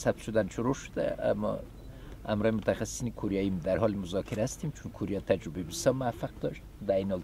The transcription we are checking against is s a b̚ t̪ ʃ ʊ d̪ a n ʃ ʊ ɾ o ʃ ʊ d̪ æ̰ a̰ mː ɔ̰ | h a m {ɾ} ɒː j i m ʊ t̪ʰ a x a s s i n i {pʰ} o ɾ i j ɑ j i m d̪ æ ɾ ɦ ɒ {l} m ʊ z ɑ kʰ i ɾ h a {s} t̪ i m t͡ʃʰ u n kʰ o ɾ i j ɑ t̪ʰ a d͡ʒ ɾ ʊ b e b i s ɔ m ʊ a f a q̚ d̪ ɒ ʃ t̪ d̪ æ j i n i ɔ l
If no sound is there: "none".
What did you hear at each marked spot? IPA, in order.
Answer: ɾ, kʰ, l, s

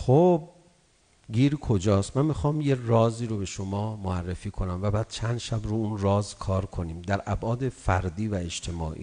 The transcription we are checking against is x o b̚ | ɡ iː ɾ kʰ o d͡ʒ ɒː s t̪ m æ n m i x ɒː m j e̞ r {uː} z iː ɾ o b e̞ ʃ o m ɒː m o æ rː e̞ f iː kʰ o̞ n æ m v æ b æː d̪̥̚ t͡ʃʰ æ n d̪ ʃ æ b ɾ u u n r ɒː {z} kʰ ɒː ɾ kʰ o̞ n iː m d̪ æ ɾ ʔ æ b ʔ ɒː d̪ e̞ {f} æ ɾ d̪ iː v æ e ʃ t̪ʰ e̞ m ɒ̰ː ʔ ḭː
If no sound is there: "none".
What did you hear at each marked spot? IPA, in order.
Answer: ɒː, z, f

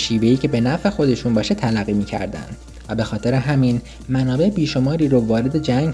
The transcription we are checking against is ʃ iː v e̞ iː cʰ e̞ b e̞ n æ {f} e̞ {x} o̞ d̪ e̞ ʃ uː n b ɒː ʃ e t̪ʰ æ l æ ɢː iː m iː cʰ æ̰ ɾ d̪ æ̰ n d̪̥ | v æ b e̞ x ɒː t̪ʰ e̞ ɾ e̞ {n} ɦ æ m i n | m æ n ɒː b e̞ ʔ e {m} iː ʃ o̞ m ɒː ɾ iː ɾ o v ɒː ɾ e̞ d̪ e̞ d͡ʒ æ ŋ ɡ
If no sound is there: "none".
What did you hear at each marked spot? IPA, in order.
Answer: f, x, none, b

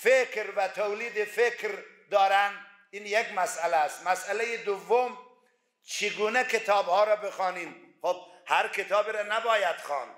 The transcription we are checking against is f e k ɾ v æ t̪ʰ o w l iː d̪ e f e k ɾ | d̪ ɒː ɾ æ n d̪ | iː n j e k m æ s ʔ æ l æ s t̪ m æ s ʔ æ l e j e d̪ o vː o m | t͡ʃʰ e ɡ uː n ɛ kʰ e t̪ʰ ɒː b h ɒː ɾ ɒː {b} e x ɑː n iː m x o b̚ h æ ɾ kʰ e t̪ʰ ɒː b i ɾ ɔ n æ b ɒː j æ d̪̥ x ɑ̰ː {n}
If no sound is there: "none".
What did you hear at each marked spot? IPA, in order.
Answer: b, n

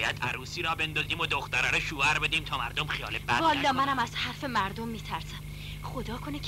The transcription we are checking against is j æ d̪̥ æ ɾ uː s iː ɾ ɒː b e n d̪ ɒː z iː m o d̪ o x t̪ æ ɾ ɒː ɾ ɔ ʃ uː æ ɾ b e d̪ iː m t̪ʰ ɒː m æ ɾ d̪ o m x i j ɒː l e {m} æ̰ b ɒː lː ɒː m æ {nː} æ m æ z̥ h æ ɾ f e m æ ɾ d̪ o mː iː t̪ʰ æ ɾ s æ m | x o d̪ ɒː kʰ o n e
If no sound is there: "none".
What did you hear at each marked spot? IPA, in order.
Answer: b, n

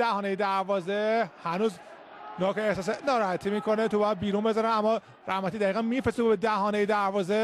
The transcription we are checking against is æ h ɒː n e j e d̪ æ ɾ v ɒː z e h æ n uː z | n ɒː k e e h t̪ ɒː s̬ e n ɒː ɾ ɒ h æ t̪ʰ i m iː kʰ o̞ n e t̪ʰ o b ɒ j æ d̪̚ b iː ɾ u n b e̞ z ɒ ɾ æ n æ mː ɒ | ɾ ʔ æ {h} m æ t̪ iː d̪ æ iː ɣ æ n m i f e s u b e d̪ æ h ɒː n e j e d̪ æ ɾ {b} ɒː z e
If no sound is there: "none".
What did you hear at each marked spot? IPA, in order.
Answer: h, v

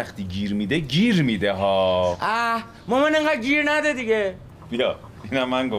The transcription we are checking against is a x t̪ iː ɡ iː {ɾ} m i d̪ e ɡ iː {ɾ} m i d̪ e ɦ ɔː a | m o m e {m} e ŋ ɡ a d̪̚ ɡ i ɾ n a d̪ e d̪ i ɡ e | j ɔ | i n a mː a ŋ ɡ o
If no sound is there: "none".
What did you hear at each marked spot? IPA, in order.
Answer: ɾ, ɾ, n

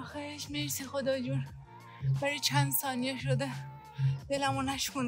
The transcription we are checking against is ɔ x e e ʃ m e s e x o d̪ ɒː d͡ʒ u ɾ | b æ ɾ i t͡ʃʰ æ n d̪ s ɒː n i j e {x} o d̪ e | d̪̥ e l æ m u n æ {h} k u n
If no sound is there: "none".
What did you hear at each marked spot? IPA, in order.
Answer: ʃ, ʃ

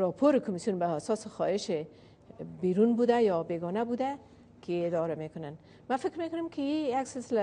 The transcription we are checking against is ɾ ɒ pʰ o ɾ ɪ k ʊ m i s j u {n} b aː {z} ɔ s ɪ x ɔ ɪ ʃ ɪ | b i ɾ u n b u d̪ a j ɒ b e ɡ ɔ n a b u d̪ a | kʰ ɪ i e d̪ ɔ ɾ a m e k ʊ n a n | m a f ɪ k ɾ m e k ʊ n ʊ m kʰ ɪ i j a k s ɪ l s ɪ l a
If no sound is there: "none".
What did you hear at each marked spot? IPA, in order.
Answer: n, s

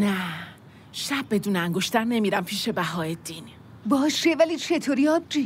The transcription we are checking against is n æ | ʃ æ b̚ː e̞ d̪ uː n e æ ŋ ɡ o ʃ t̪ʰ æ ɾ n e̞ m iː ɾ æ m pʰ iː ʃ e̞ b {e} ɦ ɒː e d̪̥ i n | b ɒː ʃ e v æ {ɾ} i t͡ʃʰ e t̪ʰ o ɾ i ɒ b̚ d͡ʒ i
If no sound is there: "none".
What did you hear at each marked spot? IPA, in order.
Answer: æ, l

